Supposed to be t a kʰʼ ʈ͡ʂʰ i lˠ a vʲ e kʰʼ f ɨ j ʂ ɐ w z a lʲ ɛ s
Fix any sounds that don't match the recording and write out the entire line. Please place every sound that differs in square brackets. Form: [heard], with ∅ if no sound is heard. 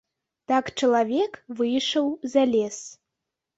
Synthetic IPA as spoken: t a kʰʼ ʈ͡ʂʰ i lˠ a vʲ e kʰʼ [v] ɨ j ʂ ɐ w z a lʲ [e] s